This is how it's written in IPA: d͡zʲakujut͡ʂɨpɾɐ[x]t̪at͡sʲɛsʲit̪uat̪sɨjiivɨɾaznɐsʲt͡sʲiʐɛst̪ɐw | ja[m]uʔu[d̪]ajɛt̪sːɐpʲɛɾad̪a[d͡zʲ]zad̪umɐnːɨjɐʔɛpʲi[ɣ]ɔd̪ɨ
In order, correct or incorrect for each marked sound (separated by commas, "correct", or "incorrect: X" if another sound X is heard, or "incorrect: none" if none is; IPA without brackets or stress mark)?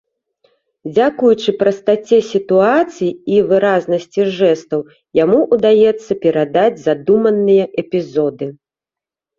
incorrect: s, correct, correct, correct, incorrect: z